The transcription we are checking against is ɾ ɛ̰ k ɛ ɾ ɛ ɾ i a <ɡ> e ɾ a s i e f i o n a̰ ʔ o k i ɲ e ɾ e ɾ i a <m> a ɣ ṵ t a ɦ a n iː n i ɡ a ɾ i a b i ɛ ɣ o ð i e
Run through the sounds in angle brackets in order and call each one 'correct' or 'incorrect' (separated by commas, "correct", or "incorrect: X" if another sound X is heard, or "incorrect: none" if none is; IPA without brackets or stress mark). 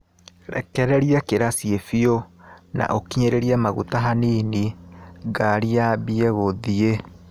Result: incorrect: k, correct